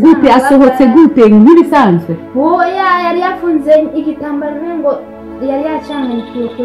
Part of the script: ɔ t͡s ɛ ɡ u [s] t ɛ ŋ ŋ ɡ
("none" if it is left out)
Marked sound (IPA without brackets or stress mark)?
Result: none